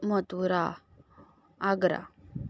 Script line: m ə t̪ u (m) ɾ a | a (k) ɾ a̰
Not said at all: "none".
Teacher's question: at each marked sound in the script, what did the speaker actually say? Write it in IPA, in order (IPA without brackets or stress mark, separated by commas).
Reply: none, ɡ